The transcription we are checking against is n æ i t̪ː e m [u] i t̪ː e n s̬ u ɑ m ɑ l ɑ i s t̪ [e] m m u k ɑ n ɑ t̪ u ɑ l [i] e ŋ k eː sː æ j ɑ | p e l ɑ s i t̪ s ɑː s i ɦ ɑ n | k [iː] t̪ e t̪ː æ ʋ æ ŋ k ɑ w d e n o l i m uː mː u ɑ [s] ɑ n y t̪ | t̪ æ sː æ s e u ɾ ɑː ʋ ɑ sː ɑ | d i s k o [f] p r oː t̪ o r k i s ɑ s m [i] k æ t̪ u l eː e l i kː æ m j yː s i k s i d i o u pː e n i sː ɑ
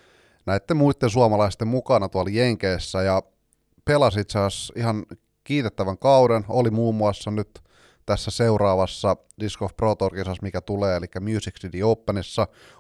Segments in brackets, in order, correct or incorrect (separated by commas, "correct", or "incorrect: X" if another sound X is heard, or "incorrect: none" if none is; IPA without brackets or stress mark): correct, correct, incorrect: j, correct, incorrect: sː, correct, correct